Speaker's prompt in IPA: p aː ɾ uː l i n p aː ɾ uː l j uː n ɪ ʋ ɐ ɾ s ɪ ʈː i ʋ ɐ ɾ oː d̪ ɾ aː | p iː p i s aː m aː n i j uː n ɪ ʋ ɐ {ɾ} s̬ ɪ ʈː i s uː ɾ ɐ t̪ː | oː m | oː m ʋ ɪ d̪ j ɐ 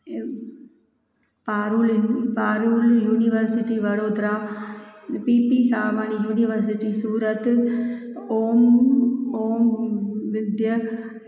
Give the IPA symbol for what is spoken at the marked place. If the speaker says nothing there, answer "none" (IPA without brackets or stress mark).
ɾ